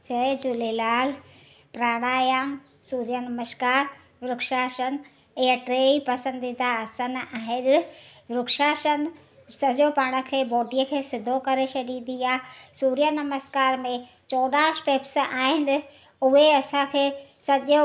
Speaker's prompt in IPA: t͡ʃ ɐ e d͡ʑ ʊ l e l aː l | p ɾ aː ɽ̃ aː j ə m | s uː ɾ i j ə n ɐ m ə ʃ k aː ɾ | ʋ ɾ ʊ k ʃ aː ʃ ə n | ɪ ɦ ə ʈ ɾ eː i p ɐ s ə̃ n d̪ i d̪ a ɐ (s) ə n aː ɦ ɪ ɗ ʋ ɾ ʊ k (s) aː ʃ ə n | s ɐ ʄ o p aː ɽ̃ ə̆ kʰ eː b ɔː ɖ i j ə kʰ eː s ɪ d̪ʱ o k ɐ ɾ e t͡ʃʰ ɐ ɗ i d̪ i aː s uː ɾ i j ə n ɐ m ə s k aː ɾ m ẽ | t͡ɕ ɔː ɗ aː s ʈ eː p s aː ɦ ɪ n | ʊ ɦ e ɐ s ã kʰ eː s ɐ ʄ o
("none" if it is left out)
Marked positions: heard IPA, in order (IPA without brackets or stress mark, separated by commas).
s, ʃ